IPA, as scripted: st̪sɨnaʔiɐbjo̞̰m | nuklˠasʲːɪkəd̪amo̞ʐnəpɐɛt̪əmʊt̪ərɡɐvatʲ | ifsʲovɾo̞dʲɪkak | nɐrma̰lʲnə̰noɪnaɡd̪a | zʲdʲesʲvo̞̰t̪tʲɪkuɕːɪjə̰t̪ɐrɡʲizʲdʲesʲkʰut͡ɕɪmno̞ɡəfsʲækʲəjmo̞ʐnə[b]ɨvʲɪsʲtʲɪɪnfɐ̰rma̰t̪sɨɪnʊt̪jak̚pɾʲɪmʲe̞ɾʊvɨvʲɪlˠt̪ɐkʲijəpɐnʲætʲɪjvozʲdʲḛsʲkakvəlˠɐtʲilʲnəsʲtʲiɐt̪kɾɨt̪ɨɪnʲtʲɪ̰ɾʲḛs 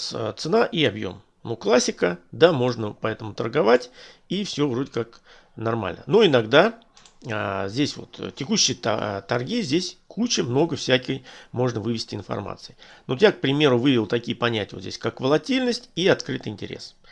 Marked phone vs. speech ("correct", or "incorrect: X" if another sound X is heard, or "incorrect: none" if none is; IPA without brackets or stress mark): incorrect: v